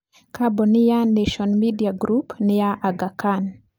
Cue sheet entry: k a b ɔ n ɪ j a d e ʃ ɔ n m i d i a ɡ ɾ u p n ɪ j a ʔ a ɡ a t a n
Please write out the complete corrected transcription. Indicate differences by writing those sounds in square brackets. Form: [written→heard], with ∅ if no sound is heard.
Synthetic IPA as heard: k a b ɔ n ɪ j a [d→n] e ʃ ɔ n m i d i a ɡ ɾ u p n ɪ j a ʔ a ɡ a [t→k] a n